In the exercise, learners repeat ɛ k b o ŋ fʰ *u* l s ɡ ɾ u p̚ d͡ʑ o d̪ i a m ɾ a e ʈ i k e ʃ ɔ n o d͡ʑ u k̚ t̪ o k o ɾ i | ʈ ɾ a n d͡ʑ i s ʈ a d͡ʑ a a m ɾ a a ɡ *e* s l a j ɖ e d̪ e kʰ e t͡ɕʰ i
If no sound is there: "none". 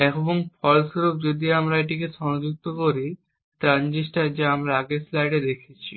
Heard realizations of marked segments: ɔ, e

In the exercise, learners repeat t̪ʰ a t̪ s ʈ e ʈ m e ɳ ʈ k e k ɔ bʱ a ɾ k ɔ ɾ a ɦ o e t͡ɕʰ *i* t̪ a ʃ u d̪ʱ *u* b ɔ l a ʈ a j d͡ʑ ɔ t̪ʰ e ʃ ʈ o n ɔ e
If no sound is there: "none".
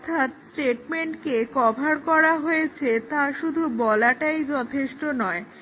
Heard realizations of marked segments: e, u

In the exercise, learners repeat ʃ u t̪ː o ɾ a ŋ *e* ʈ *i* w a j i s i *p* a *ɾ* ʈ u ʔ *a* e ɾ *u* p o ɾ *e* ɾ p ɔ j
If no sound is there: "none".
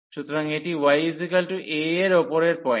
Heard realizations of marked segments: e, i, k, l, e, o, e

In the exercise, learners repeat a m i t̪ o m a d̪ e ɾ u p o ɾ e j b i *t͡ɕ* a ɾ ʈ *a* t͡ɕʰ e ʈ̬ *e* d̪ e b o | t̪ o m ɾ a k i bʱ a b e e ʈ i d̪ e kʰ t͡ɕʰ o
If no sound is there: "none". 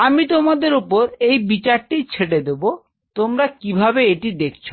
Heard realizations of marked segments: t͡ɕ, i, e

